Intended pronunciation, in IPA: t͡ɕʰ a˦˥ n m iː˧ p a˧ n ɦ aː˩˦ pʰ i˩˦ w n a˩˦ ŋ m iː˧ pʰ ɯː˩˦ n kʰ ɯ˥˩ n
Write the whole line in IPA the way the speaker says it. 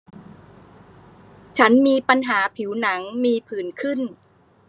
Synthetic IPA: t͡ɕʰ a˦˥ n m iː˧ p a˧ n ɦ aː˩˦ pʰ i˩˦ w n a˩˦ ŋ m iː˧ pʰ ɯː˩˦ n kʰ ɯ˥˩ n